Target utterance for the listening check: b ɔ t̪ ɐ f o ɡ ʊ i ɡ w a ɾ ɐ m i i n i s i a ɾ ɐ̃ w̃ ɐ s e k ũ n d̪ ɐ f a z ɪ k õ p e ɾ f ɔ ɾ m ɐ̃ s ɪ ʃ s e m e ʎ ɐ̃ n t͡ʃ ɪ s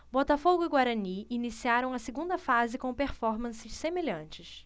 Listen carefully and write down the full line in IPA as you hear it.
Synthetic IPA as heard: b ɔ t̪ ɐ f o ɡ ʊ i ɡ w a ɾ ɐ n i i n i s i a ɾ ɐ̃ w̃ ɐ s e ɡ ũ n d̪ ɐ f a z ɪ k õ p e ɾ f ɔ ɾ m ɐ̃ s ɪ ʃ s e m e ʎ ɐ̃ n t͡ʃ ɪ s